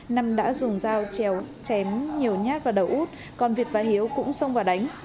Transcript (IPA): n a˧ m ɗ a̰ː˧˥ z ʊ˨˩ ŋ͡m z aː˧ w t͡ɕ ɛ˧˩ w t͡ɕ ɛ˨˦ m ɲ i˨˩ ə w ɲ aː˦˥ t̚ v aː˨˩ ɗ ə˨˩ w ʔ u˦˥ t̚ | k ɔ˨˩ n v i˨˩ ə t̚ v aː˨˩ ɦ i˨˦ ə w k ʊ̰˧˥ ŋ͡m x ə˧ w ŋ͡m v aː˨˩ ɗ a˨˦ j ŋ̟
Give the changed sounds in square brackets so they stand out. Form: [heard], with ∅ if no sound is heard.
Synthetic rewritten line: n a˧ m ɗ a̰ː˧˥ z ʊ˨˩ ŋ͡m z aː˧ w t͡ɕ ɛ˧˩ w t͡ɕ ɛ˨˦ m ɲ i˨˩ ə w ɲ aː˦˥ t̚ v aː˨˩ ɗ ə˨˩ w ʔ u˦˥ t̚ | k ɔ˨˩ n v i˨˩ ə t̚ v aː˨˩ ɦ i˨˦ ə w k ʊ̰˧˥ ŋ͡m [s] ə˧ w ŋ͡m v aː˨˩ ɗ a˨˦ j ŋ̟